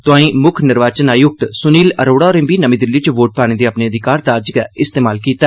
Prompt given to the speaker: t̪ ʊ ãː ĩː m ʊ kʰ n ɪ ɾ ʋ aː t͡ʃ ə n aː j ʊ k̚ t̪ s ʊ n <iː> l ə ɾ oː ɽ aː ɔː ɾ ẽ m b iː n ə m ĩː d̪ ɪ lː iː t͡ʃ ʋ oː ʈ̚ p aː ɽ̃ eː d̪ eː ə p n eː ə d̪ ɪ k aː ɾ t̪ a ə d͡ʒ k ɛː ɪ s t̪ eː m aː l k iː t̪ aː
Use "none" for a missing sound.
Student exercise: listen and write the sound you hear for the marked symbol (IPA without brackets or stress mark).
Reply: iː